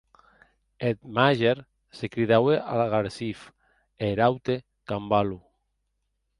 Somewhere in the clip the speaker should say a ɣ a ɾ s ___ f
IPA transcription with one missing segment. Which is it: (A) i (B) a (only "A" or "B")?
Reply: A